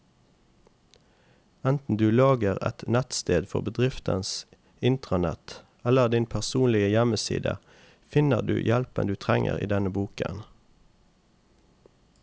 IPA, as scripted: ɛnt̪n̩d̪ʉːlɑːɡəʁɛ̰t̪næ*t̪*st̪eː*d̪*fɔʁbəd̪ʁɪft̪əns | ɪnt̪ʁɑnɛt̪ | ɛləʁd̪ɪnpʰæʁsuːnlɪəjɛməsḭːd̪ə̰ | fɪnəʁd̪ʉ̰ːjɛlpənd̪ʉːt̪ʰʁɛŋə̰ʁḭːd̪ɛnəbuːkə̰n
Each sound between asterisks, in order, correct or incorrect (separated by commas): correct, correct